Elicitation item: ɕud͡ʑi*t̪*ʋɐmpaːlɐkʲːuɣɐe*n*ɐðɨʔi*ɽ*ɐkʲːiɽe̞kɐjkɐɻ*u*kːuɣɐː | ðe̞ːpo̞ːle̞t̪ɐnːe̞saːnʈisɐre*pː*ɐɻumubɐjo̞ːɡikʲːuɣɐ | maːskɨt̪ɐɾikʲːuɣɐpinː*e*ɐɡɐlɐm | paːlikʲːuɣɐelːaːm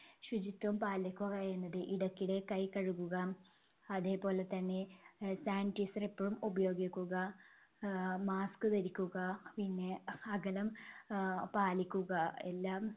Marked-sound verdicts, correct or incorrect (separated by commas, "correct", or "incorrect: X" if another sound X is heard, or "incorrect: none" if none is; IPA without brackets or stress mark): correct, incorrect: nː, correct, correct, correct, correct